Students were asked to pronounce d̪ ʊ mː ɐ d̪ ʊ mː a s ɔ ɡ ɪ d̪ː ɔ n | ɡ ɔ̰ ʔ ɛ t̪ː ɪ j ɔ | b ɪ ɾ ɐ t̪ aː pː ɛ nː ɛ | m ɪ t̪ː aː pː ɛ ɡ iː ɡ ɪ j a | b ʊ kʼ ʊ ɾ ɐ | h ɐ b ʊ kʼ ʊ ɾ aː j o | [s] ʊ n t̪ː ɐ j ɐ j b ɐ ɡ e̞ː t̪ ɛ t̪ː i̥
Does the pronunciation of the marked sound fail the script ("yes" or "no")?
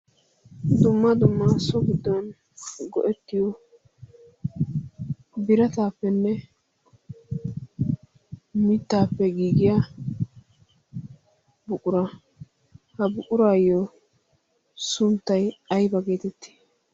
no